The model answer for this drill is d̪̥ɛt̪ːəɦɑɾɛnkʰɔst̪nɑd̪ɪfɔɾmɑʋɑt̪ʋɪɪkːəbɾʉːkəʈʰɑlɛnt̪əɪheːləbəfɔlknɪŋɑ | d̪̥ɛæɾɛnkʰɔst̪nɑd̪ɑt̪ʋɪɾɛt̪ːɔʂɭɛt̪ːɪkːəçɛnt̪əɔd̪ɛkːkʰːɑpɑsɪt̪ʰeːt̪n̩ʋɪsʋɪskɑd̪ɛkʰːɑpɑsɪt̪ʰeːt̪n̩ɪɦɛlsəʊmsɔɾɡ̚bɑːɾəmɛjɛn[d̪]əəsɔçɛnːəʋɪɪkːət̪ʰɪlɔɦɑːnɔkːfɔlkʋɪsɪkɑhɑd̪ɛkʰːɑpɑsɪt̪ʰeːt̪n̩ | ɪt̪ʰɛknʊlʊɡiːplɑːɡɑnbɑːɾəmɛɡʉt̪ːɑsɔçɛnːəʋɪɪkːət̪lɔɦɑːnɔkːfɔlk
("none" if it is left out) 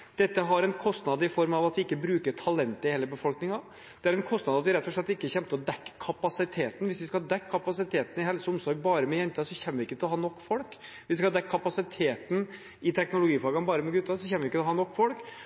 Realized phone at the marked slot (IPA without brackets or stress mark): t̪